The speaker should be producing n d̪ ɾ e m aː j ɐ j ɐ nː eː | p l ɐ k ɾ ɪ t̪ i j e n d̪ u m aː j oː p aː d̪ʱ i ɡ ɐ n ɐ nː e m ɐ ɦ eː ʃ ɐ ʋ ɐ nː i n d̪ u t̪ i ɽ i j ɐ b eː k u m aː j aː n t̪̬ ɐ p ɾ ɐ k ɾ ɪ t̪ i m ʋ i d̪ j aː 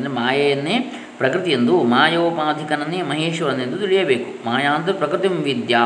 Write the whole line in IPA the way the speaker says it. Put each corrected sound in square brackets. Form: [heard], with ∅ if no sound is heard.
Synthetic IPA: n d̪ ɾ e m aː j ɐ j ɐ nː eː | p [ɾ] ɐ k ɾ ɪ t̪ i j e n d̪ u m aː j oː p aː d̪ʱ i [k] ɐ n ɐ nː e m ɐ ɦ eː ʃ ɐ ʋ ɐ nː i n d̪ u t̪ i [ɭ] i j ɐ b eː k u m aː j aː n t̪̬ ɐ p ɾ ɐ k ɾ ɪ t̪ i m ʋ i d̪ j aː